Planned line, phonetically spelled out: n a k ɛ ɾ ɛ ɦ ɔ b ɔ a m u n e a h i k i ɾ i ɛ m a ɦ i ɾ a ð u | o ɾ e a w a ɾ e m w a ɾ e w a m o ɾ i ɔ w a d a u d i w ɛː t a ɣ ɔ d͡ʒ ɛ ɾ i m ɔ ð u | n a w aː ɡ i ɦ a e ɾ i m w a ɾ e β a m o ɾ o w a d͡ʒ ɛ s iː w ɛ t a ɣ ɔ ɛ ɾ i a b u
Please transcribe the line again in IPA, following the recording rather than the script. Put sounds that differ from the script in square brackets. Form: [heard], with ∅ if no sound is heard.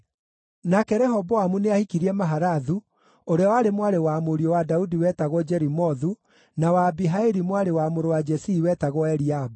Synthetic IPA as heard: n a k ɛ ɾ ɛ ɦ ɔ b ɔ a m u n e a h i k i ɾ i ɛ m a ɦ [a] ɾ a ð u | o ɾ e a w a ɾ e m w a ɾ e w a m o ɾ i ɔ w a d a u d i w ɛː t a ɣ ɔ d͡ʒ ɛ ɾ i m ɔ ð u | n a w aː [b] i ɦ a e ɾ i m w a ɾ e [w] a m o ɾ o w a d͡ʒ ɛ s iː w ɛ t a ɣ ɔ ɛ ɾ i a b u